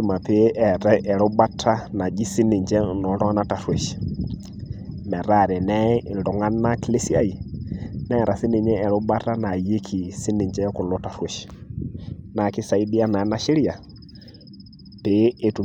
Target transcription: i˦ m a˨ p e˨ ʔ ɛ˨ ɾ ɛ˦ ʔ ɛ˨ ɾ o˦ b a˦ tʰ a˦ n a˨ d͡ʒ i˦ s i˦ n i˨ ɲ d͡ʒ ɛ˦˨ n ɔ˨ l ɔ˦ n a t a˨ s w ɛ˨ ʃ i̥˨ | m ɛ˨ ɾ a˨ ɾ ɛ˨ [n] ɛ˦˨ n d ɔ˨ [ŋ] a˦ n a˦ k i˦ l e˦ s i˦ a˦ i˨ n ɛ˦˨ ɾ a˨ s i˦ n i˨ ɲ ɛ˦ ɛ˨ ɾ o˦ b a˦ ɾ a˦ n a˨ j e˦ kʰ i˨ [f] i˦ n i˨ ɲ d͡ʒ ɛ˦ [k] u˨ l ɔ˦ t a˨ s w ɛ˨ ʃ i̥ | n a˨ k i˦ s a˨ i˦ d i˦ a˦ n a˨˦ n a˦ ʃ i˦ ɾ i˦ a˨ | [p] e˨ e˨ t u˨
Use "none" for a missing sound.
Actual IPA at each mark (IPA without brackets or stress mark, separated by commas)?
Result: n, ŋ, s, k, p